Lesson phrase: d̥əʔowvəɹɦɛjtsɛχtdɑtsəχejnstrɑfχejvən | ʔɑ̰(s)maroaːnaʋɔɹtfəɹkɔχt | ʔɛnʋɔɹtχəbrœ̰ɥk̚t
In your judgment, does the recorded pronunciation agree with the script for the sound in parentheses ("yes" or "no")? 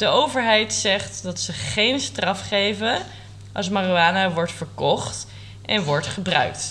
yes